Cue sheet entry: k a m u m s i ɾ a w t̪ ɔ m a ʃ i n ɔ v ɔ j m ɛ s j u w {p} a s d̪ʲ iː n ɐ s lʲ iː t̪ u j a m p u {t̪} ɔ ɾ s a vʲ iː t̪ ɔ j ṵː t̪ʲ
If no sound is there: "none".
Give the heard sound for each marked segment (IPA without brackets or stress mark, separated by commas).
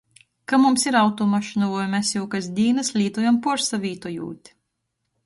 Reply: k, none